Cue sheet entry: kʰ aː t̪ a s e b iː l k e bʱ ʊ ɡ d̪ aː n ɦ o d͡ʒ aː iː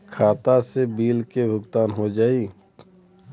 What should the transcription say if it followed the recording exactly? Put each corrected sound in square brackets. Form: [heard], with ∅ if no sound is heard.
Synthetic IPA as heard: kʰ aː t̪ a s e b iː l k e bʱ ʊ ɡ [t̪] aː n ɦ o d͡ʒ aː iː

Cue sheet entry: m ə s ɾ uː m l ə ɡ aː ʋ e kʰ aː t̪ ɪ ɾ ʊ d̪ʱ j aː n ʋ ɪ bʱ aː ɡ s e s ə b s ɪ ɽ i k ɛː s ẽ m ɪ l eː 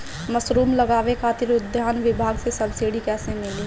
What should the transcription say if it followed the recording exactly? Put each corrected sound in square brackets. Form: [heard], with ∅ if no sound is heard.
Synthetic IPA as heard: m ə s ɾ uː m l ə ɡ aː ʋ e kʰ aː t̪ ɪ ɾ ʊ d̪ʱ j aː n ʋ ɪ bʱ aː ɡ s e s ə b s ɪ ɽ i k ɛː s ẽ m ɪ l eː

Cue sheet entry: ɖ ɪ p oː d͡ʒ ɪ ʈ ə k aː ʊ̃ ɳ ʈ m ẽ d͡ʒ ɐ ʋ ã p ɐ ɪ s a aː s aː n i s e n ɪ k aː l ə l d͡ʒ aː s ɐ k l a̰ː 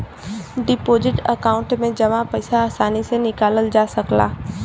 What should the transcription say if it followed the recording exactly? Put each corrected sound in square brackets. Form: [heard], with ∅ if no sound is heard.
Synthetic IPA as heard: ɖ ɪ p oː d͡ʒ ɪ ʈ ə k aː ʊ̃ ɳ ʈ m ẽ d͡ʒ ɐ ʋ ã p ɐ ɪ s a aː s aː n i s e n ɪ k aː l ə l d͡ʒ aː s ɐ k l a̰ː

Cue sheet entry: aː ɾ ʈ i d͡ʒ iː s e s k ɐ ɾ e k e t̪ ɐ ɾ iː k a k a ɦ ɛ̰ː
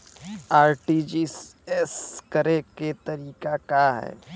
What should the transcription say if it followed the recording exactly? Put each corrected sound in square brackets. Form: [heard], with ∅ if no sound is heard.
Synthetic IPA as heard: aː ɾ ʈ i d͡ʒ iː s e s k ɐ ɾ e k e t̪ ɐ ɾ iː k a k a ɦ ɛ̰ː

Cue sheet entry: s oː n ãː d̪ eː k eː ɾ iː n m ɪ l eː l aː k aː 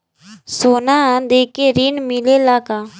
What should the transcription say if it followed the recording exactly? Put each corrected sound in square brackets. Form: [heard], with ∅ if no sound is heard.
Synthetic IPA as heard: s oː n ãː d̪ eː k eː ɾ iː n m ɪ l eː l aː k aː

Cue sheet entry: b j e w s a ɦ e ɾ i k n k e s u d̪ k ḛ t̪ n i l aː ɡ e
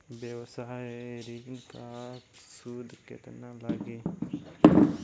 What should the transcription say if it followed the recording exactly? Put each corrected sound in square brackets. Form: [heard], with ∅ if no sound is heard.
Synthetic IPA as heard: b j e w s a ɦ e ɾ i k n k [a] s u d̪ k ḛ t̪ n [a] l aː ɡ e

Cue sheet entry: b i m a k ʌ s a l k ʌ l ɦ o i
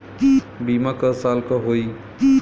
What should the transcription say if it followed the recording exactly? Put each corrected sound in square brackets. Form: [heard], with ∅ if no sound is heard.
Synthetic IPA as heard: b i m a k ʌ s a l k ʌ [∅] ɦ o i

